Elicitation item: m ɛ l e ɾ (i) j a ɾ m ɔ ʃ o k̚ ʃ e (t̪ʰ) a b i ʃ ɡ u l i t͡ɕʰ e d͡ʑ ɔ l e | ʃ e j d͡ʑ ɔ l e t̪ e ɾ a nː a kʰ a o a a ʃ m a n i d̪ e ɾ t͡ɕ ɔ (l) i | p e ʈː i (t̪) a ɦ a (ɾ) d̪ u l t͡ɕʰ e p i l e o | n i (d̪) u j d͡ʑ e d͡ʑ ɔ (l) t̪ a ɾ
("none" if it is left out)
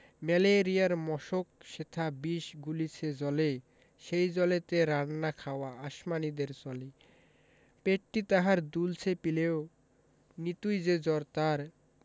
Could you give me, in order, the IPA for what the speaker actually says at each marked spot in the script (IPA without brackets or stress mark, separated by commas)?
i, t̪ʰ, l, t̪, ɾ, t̪, ɾ